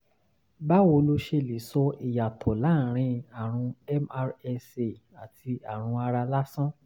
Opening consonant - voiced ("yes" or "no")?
yes